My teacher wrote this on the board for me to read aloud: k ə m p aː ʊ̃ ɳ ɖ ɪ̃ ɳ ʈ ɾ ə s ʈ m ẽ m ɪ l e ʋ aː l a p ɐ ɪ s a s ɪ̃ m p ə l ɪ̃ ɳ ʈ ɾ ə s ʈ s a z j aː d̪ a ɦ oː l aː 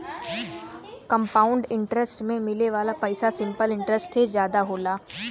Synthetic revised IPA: k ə m p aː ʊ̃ ɳ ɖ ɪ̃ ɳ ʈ ɾ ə s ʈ m ẽ m ɪ l e ʋ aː l a p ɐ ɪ s a s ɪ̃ m p ə l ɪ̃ ɳ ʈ ɾ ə s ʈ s e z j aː d̪ a ɦ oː l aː